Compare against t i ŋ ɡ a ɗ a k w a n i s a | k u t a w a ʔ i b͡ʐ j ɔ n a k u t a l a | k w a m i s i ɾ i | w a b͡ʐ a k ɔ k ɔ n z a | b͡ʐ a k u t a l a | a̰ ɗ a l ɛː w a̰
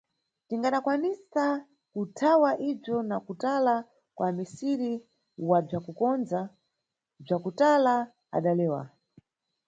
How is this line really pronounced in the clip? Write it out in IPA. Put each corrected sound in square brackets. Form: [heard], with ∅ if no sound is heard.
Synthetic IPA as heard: t i ŋ ɡ a ɗ a k w a n i s a | k u [tʰ] a w a ʔ i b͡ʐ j ɔ n a k u t a l a | k w a m i s i ɾ i | w a b͡ʐ a k [u] k ɔ n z a | b͡ʐ a k u t a l a | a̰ ɗ a l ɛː w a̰